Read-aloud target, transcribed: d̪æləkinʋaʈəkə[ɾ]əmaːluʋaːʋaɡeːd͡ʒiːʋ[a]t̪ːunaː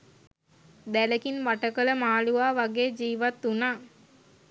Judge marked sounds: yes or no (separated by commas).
no, yes